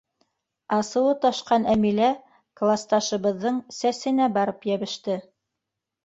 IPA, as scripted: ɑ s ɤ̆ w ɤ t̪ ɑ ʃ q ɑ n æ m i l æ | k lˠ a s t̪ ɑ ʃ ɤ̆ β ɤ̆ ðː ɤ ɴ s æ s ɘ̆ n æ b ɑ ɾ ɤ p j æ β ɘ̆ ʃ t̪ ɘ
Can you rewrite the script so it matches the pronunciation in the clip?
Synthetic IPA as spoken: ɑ s ɤ̆ w ɤ t̪ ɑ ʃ q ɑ n æ m i l æ | k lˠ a s t̪ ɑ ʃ ɤ̆ β ɤ̆ ðː ɤ ɴ s æ s ɘ̆ n æ b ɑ ɾ ɤ p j æ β ɘ̆ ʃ t̪ ɘ